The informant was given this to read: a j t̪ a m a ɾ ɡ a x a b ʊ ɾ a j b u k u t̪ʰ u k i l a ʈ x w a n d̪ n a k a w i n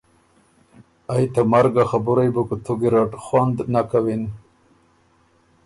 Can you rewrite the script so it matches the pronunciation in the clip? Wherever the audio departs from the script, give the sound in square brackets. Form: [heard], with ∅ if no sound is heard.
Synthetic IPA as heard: a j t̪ a m a ɾ ɡ a x a b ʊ ɾ a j b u k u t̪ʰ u [ɡ] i [ɾ] a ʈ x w a n d̪ n a k a w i n